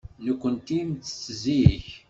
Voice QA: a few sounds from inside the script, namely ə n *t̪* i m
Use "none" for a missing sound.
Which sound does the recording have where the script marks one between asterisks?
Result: t̪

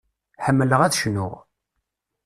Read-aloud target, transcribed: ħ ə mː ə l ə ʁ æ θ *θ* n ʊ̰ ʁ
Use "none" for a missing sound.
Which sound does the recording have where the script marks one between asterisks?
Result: ʃ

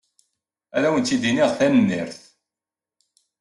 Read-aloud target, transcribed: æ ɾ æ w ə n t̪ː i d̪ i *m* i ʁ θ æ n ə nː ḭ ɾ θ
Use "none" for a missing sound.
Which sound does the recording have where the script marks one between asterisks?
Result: n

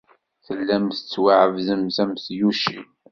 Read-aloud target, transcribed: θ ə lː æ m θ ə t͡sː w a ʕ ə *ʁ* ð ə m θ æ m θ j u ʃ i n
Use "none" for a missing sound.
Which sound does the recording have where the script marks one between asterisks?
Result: v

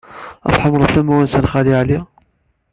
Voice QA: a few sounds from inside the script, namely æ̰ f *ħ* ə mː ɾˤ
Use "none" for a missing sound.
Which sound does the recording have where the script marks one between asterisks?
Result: ħ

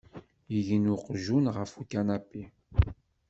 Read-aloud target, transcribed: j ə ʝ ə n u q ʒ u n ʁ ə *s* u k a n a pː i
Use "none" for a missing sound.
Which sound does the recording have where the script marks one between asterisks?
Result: f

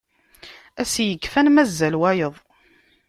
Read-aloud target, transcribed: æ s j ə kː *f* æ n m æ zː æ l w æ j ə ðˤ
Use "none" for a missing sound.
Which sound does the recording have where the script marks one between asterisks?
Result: f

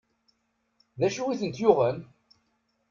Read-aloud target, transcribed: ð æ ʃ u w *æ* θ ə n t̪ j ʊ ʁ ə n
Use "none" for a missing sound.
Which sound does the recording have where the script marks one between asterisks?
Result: i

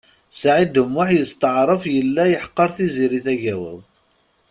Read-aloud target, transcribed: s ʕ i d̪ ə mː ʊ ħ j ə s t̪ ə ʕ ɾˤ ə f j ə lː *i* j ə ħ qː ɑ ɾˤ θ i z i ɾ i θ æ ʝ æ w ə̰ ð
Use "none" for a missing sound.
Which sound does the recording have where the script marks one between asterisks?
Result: æ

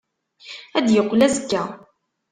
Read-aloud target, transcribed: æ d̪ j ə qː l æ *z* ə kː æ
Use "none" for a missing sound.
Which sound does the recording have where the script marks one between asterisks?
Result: z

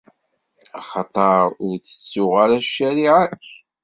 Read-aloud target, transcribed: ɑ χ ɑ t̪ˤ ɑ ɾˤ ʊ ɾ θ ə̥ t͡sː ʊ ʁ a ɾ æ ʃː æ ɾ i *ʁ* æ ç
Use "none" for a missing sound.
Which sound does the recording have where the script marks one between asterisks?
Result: ʕ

